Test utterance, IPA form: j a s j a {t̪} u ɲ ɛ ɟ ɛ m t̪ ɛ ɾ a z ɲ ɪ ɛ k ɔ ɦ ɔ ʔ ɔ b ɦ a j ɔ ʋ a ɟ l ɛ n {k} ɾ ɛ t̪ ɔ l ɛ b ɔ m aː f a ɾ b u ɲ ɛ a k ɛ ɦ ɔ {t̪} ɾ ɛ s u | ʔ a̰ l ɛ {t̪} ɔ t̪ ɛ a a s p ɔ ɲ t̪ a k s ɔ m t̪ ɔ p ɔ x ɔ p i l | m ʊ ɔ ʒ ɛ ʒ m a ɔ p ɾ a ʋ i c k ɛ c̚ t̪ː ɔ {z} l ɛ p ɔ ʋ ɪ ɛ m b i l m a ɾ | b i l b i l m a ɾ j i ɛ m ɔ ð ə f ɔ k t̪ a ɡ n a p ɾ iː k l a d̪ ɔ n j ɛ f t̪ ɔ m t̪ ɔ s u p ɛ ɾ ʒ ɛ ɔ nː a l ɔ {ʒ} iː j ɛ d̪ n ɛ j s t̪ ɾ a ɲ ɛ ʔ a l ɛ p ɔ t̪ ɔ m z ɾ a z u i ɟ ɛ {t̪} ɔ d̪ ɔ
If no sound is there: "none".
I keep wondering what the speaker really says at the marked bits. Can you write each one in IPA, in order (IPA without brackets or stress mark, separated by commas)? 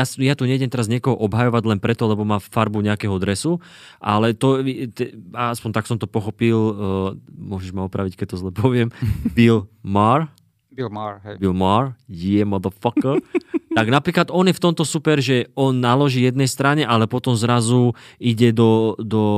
t̪, p, d̪, t̪, z, ʒ, d̪